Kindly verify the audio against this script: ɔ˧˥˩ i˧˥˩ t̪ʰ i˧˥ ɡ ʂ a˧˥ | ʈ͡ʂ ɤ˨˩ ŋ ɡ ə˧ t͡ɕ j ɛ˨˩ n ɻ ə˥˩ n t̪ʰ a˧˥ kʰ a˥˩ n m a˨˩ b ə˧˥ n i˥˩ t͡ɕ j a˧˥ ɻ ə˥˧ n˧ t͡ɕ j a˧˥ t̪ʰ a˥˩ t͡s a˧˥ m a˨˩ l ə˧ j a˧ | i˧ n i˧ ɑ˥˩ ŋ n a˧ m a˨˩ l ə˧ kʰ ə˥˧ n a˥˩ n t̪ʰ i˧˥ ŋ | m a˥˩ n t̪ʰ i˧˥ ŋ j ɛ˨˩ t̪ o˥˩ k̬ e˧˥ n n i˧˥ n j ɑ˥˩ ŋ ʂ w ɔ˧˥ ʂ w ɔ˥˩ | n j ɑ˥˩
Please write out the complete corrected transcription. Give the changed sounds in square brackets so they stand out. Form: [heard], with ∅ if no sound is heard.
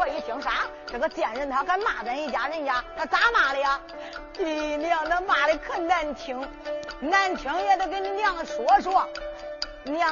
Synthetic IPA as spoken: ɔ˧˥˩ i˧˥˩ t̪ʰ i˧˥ [ŋ] ʂ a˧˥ | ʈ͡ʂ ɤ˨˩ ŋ ɡ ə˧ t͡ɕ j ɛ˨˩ n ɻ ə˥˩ n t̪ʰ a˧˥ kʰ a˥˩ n m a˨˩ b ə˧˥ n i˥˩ t͡ɕ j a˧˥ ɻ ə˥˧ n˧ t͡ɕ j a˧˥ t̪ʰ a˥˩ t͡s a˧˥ m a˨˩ l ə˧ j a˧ | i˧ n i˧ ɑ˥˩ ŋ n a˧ m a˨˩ l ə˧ kʰ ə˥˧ n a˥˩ n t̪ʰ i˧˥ ŋ | [n] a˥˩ n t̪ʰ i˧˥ ŋ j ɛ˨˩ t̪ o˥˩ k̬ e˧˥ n n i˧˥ n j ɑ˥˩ ŋ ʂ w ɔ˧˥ ʂ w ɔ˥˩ | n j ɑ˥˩